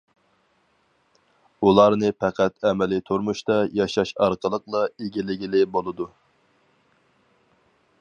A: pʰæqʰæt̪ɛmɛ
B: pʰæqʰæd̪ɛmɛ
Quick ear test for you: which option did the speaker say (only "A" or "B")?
A